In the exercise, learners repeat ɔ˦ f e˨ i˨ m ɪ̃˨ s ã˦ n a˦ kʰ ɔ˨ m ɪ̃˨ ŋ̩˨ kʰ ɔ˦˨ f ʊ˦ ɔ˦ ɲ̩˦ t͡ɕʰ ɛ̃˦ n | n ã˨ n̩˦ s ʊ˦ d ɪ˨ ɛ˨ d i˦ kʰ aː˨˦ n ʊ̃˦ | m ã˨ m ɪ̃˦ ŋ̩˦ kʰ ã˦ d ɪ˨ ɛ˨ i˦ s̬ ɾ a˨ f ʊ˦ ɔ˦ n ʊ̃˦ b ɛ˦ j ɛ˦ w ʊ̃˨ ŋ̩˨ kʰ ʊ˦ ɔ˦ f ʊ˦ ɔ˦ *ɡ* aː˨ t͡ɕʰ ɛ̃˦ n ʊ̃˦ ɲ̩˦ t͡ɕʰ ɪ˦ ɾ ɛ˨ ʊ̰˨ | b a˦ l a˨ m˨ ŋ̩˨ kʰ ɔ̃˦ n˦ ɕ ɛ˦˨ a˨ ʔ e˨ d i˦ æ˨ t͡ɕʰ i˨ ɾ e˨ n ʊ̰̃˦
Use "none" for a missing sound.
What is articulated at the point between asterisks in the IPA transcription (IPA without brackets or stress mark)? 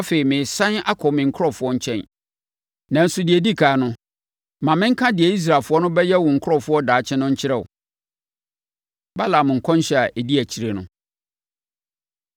d